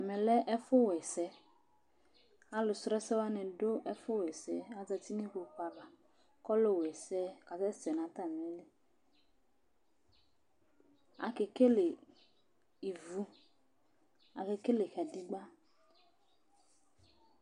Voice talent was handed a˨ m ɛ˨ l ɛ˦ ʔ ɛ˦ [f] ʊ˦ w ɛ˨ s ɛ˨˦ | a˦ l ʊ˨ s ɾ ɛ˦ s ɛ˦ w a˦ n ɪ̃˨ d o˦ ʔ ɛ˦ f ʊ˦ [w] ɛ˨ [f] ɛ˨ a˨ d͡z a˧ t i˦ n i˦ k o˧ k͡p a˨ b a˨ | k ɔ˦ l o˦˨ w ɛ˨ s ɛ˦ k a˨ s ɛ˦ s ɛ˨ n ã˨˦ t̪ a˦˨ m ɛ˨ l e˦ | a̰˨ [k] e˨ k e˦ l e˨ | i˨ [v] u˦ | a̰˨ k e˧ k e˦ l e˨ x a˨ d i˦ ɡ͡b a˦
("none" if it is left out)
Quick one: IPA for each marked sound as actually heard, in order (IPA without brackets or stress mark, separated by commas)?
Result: f, w, s, k, v